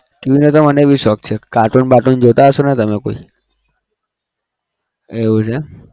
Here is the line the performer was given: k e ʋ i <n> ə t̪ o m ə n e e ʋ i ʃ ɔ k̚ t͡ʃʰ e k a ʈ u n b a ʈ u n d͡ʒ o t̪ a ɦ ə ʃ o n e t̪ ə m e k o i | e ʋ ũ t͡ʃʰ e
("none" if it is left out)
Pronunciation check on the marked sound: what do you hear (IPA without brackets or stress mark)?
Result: n